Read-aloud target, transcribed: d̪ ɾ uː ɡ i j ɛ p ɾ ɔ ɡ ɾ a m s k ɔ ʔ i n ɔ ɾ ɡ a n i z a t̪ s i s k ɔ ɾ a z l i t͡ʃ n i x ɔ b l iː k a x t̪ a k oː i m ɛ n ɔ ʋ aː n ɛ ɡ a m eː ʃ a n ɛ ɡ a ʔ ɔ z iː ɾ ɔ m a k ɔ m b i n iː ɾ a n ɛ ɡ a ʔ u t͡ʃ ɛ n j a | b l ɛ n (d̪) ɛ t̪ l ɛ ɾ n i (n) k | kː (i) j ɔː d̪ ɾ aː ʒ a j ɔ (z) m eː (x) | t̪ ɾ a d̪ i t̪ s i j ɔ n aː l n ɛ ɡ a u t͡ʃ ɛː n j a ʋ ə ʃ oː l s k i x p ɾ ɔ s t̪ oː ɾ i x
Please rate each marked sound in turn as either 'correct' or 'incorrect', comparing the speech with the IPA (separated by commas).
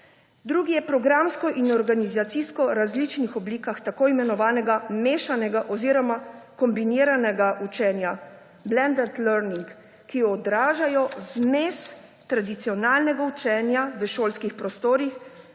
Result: correct, incorrect, correct, correct, incorrect